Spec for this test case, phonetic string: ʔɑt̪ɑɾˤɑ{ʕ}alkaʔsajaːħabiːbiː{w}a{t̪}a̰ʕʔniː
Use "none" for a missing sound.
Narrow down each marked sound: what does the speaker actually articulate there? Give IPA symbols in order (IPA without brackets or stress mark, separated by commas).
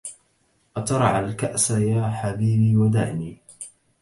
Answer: ʕ, w, d̪